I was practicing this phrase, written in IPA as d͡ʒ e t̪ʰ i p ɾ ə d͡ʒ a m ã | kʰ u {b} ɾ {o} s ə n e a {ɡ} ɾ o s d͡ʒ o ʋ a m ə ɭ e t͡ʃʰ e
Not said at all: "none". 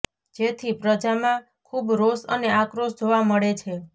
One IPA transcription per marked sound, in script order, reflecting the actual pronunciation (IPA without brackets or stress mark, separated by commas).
b, o, k